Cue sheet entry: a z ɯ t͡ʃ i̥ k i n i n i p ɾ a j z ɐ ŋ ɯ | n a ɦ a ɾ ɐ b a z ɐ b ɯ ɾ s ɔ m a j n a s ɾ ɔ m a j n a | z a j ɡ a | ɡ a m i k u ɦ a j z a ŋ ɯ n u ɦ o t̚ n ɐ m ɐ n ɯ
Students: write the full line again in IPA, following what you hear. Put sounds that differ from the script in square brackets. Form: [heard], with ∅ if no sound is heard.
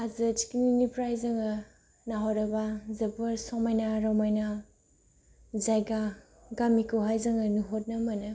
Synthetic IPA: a z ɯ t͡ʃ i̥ k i n i n i p ɾ a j z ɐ ŋ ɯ | n a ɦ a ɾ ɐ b a z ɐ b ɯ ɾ s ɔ m a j n a [∅] ɾ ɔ m a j n a | z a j ɡ a | ɡ a m i k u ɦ a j z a ŋ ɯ n u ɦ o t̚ n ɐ m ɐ n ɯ